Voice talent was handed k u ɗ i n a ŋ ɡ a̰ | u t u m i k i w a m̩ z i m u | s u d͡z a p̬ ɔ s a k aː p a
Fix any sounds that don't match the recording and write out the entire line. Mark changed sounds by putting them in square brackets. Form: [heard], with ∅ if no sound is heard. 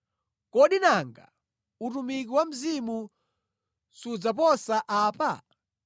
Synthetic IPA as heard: k [ɔ] ɗ i n a ŋ ɡ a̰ | u t u m i k i w a m̩ z i m u | s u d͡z a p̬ ɔ s a [ʔ] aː p a